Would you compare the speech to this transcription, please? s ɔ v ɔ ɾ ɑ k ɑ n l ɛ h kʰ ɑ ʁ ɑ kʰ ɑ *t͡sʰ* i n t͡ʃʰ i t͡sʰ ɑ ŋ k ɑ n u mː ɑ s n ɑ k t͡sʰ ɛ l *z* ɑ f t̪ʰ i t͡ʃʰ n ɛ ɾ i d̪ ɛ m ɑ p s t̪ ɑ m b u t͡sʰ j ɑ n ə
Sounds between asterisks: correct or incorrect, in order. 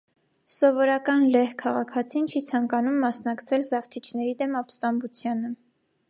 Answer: correct, correct

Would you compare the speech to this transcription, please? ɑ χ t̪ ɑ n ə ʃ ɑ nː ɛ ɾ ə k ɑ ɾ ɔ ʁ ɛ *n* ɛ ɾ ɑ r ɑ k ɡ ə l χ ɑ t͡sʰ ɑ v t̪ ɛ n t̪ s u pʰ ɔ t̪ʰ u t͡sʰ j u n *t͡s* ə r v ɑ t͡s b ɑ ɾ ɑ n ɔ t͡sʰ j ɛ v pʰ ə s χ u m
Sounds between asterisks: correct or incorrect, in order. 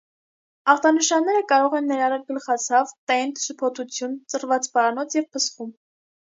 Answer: incorrect, correct

